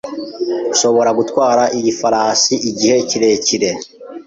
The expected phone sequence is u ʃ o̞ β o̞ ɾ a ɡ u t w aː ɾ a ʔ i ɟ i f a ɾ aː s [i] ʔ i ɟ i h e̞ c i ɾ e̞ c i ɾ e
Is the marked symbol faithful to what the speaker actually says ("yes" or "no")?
yes